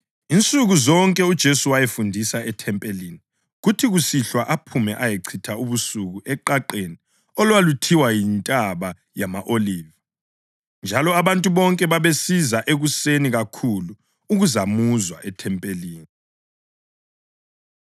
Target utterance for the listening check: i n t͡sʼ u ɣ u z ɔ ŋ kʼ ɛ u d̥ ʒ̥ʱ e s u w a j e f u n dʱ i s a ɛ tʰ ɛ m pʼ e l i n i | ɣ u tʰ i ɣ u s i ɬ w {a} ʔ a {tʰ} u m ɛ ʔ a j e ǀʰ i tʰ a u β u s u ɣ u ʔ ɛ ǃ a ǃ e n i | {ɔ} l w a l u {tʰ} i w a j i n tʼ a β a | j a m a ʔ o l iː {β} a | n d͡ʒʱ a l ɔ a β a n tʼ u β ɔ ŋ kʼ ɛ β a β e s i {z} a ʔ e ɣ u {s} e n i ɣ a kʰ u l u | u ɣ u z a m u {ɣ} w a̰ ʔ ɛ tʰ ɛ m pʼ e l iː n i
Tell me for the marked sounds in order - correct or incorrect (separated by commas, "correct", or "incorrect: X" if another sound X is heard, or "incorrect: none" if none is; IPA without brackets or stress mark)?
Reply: correct, incorrect: pʰ, correct, correct, incorrect: v, correct, correct, incorrect: z